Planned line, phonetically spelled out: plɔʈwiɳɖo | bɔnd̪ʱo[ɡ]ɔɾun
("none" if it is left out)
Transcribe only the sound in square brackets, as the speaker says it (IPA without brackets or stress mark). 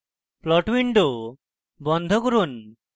k